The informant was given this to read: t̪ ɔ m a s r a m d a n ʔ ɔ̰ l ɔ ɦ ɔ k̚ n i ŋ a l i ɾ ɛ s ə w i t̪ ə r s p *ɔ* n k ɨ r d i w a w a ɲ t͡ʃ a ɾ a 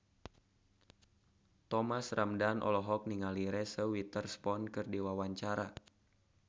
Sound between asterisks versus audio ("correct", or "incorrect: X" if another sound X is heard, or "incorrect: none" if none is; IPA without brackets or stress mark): correct